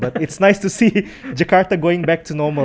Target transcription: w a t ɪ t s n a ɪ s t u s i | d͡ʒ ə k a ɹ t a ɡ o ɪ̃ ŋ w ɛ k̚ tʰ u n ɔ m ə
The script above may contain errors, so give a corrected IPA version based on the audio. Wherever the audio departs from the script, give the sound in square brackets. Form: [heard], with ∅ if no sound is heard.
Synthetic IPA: [b] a t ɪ t s n a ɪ s t u s i | d͡ʒ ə k a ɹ t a ɡ o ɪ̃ ŋ [b] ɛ k̚ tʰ u n ɔ m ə